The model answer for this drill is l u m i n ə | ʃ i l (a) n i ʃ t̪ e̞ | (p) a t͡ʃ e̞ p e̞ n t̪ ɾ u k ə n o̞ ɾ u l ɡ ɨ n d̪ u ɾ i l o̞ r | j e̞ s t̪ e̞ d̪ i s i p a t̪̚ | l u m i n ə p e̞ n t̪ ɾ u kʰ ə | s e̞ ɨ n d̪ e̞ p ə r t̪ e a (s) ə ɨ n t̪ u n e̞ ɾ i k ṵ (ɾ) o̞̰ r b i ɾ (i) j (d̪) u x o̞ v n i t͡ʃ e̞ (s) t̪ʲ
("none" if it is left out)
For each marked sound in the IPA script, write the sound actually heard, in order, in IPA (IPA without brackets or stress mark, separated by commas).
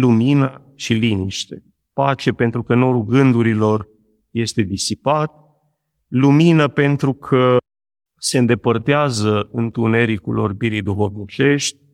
i, p, z, l, i, d̪, ʃ